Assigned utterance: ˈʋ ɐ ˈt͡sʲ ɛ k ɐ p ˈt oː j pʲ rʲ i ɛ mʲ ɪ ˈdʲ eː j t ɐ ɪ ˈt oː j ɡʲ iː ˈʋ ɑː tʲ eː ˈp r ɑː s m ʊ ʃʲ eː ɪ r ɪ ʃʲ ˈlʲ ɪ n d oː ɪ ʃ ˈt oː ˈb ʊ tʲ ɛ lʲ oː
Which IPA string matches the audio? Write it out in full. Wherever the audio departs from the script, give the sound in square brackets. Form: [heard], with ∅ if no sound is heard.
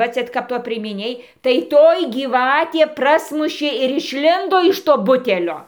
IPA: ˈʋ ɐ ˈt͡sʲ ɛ k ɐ p ˈt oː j pʲ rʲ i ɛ mʲ ɪ [ˈnʲ] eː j t ɐ ɪ ˈt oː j ɡʲ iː ˈʋ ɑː tʲ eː ˈp r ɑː s m ʊ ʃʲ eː ɪ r ɪ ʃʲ ˈlʲ ɪ n d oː ɪ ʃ ˈt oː ˈb ʊ tʲ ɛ lʲ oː